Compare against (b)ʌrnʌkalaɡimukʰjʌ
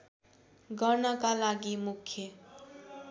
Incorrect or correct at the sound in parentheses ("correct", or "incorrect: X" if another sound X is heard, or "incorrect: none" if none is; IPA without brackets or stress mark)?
incorrect: ɡ